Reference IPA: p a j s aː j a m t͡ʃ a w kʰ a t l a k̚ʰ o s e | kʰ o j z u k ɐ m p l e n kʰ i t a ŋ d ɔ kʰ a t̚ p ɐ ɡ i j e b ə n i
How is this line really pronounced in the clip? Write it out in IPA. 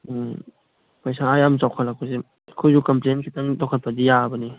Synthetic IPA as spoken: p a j s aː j a m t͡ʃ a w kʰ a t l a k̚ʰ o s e | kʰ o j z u k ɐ m p l e n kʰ i t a ŋ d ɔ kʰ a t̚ p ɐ d i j a b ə n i